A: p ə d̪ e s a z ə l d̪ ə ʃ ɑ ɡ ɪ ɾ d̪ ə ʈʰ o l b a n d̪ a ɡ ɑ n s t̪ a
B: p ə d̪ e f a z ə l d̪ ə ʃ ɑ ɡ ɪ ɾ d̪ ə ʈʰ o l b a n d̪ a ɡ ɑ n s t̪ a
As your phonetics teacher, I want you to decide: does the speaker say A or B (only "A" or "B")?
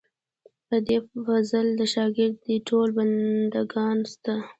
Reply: B